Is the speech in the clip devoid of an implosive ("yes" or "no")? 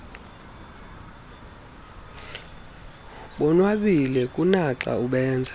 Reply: no